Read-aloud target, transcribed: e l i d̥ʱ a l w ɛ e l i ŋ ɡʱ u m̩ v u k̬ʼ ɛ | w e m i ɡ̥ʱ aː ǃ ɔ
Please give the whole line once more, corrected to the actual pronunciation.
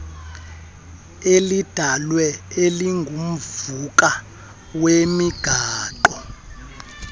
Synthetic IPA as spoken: e l i d̥ʱ a l w ɛ e l i ŋ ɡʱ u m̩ v u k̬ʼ a | w e m i ɡ̥ʱ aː ǃ ɔ

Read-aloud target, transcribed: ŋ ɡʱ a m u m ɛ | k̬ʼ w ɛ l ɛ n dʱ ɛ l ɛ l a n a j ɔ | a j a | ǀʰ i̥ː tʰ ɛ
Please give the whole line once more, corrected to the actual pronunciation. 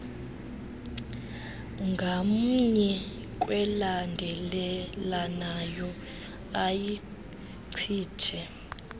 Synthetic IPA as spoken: ŋ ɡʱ a m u ɲ ɛ | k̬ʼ w ɛ l a n dʱ ɛ l ɛ l a n a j ɔ | a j i | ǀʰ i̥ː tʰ ɛ

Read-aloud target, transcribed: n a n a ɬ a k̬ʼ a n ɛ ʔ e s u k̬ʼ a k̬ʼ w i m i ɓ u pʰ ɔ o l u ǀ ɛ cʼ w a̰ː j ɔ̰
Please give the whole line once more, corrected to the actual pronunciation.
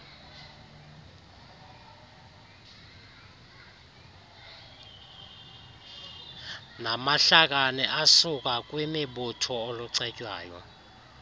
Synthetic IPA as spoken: n a m a ɬ a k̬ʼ a n ɛ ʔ a s u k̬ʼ a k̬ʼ w i m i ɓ u tʰ ɔ o l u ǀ ɛ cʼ w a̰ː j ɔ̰

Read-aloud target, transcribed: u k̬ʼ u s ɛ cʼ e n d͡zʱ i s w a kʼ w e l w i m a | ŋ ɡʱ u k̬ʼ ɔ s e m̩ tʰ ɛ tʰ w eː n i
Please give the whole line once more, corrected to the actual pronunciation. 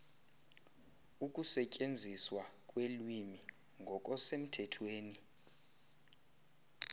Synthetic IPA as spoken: u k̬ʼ u s ɛ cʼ e n d͡zʱ i s w a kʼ w e l w i m i | ŋ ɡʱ ɔ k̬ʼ ɔ s e m̩ tʰ ɛ tʰ w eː n i

